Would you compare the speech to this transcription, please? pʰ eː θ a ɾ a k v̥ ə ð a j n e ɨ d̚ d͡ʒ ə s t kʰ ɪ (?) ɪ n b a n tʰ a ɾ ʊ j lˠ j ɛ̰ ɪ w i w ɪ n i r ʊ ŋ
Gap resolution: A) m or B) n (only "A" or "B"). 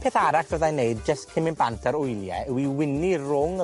A